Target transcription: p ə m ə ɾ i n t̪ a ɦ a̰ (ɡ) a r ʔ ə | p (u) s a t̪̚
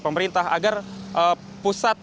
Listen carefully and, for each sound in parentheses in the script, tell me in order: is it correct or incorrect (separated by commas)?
correct, correct